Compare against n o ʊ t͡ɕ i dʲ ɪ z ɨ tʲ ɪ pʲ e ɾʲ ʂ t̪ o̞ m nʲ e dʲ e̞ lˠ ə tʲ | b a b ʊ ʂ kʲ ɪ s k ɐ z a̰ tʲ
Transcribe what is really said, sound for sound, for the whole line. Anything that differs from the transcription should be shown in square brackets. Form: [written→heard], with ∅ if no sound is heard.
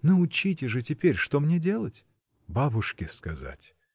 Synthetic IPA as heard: n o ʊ t͡ɕ i [dʲ→tʲ] ɪ [z→ʐ] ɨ tʲ ɪ pʲ e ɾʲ ʂ t̪ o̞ m nʲ e dʲ e̞ lˠ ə tʲ | b a b ʊ ʂ kʲ ɪ s k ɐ z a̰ tʲ